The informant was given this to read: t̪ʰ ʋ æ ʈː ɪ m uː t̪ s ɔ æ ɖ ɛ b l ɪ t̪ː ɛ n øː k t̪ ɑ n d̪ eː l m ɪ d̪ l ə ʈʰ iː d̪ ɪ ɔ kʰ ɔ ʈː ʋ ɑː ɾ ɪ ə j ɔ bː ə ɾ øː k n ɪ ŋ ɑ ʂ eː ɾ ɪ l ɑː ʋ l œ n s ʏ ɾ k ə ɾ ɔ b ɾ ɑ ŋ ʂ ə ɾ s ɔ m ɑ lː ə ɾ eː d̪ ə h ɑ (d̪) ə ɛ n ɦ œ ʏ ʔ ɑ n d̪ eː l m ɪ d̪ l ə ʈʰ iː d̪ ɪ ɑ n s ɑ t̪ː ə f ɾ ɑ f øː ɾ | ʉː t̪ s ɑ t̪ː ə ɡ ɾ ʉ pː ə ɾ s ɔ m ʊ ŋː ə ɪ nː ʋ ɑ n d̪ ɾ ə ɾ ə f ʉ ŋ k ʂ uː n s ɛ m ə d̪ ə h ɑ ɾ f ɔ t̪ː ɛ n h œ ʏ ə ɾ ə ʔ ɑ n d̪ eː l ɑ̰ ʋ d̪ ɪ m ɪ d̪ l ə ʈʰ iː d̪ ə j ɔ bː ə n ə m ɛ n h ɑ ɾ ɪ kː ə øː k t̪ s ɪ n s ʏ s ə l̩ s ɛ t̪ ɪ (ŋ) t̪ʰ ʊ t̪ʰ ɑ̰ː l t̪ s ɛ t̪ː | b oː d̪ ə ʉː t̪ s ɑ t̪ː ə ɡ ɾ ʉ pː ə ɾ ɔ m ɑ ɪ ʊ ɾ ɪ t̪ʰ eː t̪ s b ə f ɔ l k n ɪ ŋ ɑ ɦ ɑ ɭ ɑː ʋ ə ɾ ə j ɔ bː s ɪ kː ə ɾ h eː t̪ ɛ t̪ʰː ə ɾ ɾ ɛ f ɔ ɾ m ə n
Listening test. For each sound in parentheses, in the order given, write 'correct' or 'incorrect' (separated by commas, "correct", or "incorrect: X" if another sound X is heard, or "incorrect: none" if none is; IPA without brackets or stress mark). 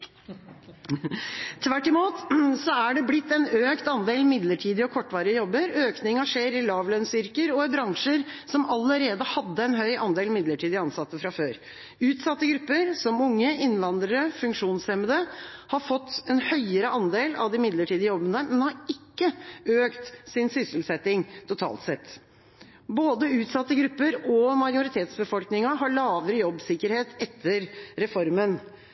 incorrect: d̪ː, correct